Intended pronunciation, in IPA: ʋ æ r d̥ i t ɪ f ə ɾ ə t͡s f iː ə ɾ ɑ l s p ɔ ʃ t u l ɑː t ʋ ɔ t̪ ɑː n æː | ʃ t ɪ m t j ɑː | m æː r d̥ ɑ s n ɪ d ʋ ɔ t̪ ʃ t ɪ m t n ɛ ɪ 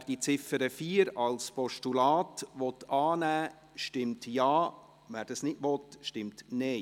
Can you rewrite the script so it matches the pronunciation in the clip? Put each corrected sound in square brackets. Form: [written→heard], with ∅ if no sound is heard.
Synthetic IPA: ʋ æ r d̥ i [t→t͡s] ɪ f ə ɾ ə [t͡s→∅] f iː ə ɾ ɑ l s p ɔ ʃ t u l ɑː t ʋ ɔ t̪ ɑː n æː | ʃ t ɪ m t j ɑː | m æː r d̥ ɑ s n ɪ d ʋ ɔ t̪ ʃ t ɪ m t n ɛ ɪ